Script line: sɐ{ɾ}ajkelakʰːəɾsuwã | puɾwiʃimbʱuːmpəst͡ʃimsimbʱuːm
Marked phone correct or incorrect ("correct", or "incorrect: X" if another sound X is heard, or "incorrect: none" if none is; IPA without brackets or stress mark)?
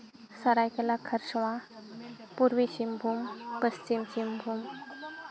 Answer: correct